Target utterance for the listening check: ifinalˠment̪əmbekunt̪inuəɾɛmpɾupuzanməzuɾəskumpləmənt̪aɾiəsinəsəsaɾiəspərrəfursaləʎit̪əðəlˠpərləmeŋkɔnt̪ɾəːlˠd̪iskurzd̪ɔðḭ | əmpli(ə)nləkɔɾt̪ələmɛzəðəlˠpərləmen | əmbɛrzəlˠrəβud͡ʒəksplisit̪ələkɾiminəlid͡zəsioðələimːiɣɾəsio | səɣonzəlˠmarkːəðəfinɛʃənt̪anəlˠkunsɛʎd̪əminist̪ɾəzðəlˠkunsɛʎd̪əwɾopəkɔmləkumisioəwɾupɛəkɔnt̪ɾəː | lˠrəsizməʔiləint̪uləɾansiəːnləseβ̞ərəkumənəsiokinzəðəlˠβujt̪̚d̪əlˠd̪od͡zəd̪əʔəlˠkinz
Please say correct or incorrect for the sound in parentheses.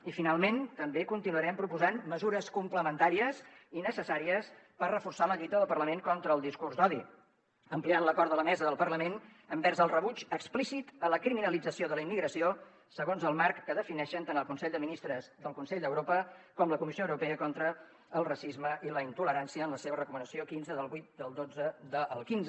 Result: incorrect: a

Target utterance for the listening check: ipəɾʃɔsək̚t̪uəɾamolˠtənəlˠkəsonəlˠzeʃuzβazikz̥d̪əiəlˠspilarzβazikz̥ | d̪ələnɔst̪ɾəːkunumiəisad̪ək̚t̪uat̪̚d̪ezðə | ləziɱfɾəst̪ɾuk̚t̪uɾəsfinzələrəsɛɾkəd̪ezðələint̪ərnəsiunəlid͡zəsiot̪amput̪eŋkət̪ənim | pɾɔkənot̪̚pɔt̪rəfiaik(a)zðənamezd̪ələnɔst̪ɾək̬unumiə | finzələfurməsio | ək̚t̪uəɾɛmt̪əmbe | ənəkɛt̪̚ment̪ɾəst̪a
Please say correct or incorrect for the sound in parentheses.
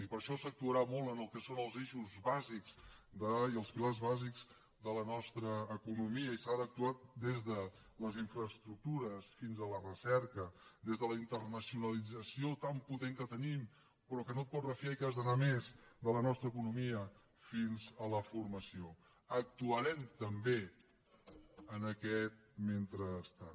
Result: correct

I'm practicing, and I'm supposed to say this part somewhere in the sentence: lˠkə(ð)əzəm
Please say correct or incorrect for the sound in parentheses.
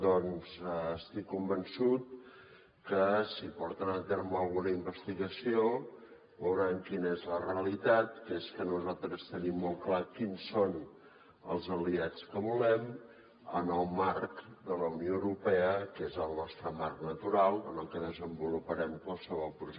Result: correct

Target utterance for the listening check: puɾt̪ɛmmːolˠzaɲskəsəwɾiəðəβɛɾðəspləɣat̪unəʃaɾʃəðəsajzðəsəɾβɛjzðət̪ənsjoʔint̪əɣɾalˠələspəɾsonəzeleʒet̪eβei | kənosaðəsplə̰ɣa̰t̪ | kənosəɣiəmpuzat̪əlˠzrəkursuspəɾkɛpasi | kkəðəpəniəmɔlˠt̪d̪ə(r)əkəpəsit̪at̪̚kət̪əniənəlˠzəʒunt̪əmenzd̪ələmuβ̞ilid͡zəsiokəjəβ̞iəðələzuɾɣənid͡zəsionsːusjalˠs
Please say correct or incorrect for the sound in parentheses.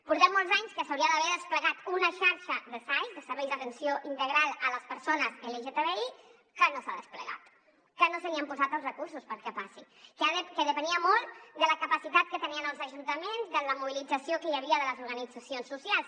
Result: incorrect: l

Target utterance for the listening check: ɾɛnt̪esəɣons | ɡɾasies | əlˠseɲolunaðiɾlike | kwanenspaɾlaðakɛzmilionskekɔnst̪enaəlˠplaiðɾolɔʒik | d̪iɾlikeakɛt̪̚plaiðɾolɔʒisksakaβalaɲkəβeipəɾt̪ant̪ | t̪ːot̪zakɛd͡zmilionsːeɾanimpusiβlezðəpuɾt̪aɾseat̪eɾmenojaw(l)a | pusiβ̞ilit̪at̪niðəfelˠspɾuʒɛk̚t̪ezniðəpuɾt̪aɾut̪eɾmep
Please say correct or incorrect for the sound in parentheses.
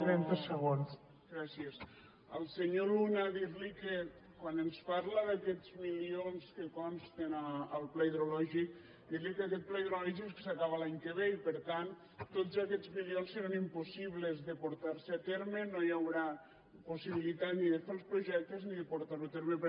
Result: incorrect: ɾ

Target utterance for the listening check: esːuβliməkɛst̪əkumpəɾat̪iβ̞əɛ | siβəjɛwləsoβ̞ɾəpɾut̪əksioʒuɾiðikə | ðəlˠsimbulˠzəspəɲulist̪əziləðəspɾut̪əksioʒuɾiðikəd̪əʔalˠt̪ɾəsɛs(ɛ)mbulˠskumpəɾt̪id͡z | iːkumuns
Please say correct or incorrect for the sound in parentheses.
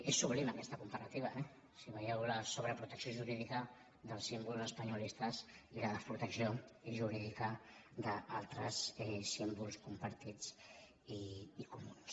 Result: incorrect: i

